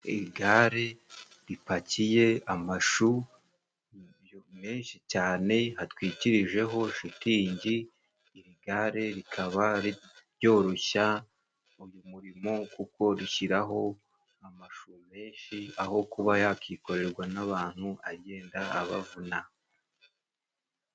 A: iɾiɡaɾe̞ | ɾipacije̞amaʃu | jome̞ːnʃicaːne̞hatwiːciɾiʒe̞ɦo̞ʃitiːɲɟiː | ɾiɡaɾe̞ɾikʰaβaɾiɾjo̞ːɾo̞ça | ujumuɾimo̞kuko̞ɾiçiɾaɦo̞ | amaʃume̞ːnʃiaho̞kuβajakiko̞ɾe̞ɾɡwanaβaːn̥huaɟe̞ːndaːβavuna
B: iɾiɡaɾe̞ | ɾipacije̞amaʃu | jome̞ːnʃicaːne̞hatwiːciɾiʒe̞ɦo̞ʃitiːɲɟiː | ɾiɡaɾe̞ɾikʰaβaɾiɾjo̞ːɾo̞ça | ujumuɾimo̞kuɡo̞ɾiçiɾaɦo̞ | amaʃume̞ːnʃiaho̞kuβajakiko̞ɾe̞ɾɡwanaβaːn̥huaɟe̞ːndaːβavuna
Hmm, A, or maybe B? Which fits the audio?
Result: A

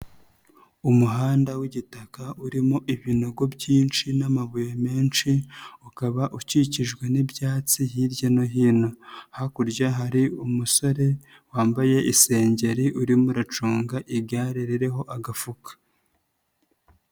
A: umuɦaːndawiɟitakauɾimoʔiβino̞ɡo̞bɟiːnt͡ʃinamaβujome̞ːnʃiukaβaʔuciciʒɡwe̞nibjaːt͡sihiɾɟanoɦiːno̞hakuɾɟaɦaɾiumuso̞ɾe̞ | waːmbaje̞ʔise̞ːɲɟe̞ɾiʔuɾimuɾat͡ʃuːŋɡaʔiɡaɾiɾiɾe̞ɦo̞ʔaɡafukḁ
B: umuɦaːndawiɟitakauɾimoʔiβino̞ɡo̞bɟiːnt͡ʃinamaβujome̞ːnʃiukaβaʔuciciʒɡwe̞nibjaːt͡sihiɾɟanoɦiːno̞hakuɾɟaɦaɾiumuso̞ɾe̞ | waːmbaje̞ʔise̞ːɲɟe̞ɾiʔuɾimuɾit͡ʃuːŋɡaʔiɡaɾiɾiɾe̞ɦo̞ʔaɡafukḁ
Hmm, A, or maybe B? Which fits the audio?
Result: A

